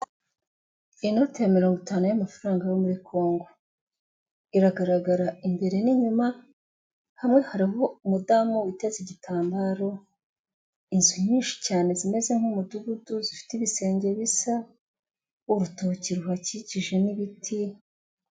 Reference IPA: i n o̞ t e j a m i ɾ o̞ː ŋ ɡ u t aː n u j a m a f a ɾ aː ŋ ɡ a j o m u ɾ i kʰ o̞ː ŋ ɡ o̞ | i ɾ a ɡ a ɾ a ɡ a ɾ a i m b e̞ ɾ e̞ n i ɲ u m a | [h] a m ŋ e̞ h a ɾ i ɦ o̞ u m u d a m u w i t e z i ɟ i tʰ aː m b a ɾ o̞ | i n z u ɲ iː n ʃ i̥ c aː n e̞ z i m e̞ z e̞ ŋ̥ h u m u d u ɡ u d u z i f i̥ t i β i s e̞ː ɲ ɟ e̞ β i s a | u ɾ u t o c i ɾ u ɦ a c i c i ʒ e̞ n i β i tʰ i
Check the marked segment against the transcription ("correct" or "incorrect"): correct